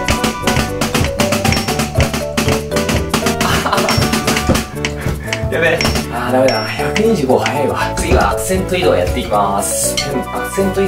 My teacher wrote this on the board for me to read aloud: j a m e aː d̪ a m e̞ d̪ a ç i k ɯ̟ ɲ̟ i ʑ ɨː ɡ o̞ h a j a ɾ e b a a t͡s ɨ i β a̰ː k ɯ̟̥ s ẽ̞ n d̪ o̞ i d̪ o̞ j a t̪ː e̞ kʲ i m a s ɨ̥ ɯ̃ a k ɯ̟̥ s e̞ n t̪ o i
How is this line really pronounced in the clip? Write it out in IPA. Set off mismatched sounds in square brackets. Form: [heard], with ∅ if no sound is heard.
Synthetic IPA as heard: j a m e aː d̪ a m e̞ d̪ a ç [a] k ɯ̟ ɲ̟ i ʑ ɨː ɡ o̞ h a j a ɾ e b a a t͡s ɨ i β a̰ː k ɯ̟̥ s ẽ̞ n [t̪] o̞ i d̪ o̞ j a t̪ː e̞ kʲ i m a s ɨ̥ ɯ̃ a k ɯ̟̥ s [ẽ̞] n t̪ o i

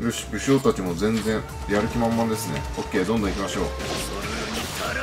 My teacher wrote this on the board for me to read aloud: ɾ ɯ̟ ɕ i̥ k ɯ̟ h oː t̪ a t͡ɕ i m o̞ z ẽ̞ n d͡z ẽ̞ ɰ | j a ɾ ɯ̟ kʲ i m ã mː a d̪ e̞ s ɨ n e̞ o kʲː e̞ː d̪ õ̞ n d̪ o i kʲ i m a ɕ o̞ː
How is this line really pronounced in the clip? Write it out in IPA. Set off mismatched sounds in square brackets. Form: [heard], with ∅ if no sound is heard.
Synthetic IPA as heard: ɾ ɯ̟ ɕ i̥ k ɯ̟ [ɕ] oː t̪ a t͡ɕ i m o̞ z ẽ̞ n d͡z ẽ̞ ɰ | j a ɾ ɯ̟ kʲ i m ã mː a d̪ e̞ s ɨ n e̞ o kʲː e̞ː d̪ õ̞ n d̪ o i kʲ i m a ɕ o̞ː

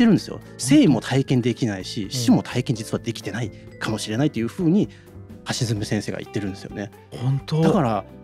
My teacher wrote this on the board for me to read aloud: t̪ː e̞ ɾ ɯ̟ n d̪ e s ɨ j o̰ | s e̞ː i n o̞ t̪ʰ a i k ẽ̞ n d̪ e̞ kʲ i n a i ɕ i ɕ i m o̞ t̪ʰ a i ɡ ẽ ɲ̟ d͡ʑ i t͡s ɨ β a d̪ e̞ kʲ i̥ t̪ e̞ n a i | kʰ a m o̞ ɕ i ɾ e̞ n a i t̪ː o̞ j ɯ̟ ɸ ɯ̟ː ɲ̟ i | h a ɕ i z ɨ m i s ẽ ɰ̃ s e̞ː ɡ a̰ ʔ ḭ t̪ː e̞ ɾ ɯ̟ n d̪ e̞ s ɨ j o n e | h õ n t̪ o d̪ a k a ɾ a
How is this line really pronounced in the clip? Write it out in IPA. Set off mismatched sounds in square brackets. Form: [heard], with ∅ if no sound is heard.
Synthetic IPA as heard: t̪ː e̞ ɾ ɯ̟ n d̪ e s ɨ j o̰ | s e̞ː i [m] o̞ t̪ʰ a i k ẽ̞ n d̪ e̞ kʲ i n a i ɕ i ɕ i m o̞ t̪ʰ a i [k] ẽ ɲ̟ d͡ʑ i t͡s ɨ β a d̪ e̞ kʲ i̥ t̪ e̞ n a i | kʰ a m o̞ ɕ i ɾ e̞ n a i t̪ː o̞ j ɯ̟ ɸ ɯ̟ː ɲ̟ i | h a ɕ i z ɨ m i s ẽ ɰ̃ s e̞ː ɡ a̰ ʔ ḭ t̪ː e̞ ɾ ɯ̟ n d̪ e̞ s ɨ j o n e | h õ n t̪ o d̪ a k a ɾ a

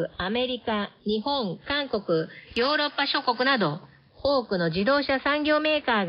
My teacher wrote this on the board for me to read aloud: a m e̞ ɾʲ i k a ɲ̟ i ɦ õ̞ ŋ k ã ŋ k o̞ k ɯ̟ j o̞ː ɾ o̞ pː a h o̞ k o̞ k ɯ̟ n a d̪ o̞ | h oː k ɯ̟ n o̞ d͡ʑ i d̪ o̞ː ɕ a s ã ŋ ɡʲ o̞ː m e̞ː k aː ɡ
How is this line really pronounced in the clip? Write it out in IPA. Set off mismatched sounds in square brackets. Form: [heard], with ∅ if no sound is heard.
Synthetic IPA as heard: a m e̞ ɾʲ i k a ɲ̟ i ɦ õ̞ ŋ k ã ŋ k o̞ k ɯ̟ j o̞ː ɾ o̞ pː a [ɕ] o̞ k o̞ k ɯ̟ n a d̪ o̞ | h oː k ɯ̟ n o̞ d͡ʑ i d̪ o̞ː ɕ a s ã ŋ ɡʲ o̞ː m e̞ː k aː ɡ

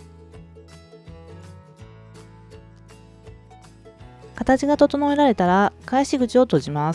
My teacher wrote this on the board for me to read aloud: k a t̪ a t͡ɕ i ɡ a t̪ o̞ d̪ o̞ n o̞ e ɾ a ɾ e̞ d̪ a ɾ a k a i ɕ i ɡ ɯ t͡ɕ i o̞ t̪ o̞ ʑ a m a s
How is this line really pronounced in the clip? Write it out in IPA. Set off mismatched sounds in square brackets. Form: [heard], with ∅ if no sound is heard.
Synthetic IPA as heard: k a t̪ a t͡ɕ i ɡ a t̪ o̞ [t̪] o̞ n o̞ e ɾ a ɾ e̞ [t̪] a ɾ a k a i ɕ i ɡ ɯ t͡ɕ i o̞ t̪ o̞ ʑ [i] m a s

